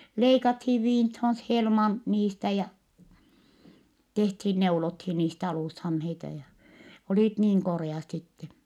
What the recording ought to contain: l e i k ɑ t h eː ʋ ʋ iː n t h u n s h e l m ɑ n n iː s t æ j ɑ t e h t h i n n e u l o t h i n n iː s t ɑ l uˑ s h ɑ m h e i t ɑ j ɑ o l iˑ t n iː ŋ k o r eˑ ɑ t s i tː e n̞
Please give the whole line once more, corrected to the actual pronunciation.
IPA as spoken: l e i k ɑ t h iː ʋ ʋ iː n t h o n s h e l m ɑ n n iː s t æ j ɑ t e h t h i n n e u l o t h i n n iː s t ɑ l uˑ s h ɑ m h e i t ɑ j ɑ o l iˑ t n iː ŋ k o r eˑ ɑ t s i tː e n̞